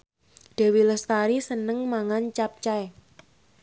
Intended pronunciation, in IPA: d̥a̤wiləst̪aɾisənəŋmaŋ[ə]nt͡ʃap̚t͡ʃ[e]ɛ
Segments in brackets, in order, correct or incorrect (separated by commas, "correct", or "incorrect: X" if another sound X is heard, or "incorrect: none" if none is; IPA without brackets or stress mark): incorrect: a, incorrect: a